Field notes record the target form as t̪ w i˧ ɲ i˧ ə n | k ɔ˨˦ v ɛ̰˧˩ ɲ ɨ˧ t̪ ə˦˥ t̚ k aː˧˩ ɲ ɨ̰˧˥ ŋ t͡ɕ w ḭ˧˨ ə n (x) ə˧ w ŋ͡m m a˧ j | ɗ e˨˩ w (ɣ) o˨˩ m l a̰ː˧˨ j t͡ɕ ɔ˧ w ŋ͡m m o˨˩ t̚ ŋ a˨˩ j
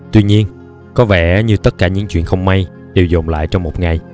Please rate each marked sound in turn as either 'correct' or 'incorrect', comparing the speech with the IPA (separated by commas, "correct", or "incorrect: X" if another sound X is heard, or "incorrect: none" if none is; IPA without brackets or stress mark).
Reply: correct, incorrect: z